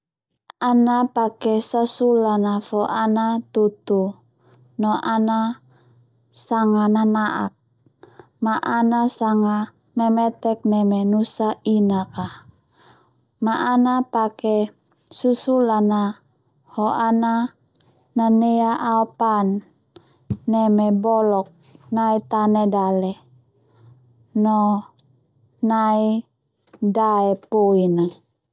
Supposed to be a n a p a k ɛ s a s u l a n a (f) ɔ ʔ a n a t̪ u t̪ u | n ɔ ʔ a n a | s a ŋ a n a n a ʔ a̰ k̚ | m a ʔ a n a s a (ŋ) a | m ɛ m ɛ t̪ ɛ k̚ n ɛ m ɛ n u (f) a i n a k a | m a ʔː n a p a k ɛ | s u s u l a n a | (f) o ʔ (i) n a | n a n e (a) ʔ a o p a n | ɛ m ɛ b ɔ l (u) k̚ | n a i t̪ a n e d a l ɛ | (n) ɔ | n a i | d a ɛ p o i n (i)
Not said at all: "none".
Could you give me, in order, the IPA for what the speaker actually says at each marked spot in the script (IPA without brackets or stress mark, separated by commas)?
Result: f, ŋ, s, h, a, a, ɔ, n, a